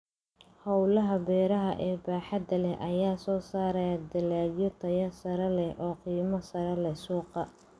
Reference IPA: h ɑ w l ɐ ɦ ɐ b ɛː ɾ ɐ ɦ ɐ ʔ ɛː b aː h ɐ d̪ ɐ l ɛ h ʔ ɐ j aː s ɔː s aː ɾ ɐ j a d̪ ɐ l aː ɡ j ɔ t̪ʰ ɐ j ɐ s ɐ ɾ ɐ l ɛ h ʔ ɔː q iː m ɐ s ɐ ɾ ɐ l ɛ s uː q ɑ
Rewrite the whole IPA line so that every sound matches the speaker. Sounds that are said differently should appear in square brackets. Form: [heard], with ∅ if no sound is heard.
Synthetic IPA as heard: h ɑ w l ɐ ɦ ɐ b ɛː ɾ ɐ ɦ ɐ ʔ ɛː b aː [ħ] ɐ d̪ ɐ l ɛ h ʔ ɐ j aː s ɔː s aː ɾ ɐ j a d̪ ɐ l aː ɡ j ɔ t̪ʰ ɐ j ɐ s ɐ ɾ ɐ l ɛ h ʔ ɔː q iː m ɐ s ɐ ɾ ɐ l ɛ s uː q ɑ

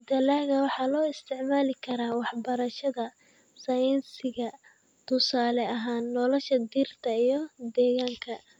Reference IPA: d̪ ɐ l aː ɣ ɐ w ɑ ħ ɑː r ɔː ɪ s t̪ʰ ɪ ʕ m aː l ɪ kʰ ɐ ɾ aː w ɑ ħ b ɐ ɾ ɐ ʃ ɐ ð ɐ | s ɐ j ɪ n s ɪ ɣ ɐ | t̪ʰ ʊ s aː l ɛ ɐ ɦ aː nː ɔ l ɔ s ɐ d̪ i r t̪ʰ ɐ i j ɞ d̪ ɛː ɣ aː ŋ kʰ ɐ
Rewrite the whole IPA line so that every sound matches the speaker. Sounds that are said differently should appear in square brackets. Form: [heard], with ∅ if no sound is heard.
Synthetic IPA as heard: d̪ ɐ l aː ɣ ɐ w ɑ ħ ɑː [l] ɔː ɪ s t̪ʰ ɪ ʕ m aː l ɪ kʰ ɐ ɾ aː w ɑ ħ b ɐ ɾ ɐ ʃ ɐ ð ɐ | s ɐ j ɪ n s ɪ ɣ ɐ | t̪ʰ ʊ s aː l ɛ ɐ ɦ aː nː ɔ l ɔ [ʃ] ɐ d̪ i r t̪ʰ ɐ i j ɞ d̪ ɛː ɣ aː ŋ kʰ ɐ

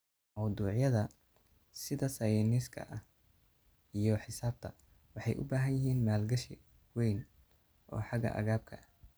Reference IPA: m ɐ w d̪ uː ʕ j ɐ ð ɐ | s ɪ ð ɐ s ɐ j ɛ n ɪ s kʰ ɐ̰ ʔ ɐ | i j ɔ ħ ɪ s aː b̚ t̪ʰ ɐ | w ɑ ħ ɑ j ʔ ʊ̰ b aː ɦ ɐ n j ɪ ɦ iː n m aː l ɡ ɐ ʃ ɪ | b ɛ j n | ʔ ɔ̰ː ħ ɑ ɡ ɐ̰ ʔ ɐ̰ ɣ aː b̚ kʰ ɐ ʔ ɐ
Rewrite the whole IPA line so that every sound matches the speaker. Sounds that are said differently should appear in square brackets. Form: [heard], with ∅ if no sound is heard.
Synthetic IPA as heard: m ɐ w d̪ uː ʕ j ɐ ð ɐ | s ɪ ð ɐ s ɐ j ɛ n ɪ s kʰ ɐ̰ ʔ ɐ | i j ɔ ħ ɪ s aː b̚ t̪ʰ ɐ | w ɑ ħ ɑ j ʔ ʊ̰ b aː ɦ ɐ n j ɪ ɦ iː n m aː l ɡ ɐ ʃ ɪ | [w] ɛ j n | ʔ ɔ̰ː ħ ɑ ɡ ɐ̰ ʔ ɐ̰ ɣ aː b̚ kʰ ɐ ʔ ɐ

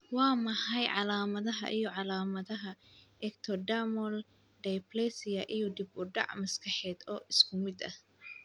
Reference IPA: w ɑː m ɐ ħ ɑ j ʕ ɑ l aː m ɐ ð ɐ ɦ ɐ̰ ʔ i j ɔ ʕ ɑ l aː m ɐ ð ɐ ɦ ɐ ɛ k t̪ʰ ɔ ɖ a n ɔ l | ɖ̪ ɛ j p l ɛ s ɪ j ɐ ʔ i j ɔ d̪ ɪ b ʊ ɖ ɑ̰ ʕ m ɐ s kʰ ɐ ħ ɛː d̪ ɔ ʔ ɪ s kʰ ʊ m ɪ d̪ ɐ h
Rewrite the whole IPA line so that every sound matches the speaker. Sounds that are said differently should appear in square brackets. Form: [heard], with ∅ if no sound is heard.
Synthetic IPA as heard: w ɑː m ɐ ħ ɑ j ʕ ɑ l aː m ɐ ð ɐ ɦ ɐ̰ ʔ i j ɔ ʕ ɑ l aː m ɐ ð ɐ ɦ ɐ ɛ k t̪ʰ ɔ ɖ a [m] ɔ l | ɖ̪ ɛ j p l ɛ s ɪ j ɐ ʔ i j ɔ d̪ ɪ b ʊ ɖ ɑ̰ ʕ m ɐ s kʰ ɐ ħ ɛː d̪ [ɔː] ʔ ɪ s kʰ ʊ m ɪ d̪ ɐ h

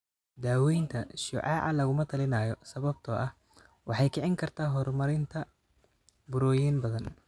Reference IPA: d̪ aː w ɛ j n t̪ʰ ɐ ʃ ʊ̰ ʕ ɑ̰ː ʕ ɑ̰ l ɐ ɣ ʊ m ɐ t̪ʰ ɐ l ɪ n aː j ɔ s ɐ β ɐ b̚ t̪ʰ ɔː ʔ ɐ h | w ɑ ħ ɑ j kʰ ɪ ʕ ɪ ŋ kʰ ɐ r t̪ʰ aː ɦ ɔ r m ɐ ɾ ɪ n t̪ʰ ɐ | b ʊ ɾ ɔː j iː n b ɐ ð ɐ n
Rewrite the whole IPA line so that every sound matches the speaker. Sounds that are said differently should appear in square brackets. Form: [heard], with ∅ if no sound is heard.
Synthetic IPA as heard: d̪ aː w ɛ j n t̪ʰ ɐ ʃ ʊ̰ ʕ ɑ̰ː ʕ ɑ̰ l ɐ ɣ ʊ m ɐ t̪ʰ ɐ l ɪ n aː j ɔ s ɐ β ɐ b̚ t̪ʰ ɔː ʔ ɐ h | w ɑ ħ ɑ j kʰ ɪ ʕ ɪ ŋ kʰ ɐ r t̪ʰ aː ɦ ɔ r m ɐ ɾ ɪ n t̪ʰ ɐ | b ʊ ɾ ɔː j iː n b ɐ ð ɐ n

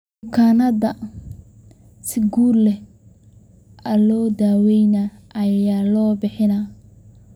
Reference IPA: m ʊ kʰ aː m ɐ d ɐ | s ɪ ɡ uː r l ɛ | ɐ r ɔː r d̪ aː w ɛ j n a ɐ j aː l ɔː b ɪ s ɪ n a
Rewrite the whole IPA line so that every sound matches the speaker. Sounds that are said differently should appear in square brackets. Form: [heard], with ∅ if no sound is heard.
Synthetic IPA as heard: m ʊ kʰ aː [n] ɐ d ɐ | s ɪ ɡ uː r l ɛ | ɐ [l] ɔː [∅] d̪ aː w ɛ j n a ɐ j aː l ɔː b ɪ [ħ] ɪ n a

